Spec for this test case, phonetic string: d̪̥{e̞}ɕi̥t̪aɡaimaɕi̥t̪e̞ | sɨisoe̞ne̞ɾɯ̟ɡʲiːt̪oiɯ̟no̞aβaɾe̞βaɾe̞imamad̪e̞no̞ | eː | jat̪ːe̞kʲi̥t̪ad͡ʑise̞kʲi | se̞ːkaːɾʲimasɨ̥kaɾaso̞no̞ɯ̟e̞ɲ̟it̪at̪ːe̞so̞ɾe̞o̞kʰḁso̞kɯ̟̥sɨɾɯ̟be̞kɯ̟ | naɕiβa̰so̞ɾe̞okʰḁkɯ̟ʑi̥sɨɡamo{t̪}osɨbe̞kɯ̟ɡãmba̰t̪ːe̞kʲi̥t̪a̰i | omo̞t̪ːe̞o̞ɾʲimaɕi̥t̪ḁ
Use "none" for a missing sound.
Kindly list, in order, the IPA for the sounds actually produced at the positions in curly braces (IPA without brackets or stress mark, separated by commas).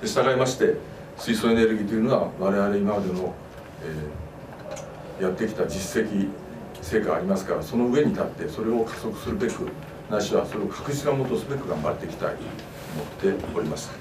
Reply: e̞, t̪